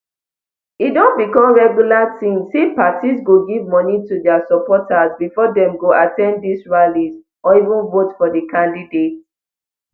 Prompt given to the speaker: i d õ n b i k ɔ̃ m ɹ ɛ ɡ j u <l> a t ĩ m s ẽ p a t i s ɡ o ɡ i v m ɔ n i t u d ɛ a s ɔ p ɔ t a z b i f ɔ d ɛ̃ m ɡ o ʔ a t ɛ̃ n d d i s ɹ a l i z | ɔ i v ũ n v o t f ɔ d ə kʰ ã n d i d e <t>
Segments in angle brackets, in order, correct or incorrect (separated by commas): correct, correct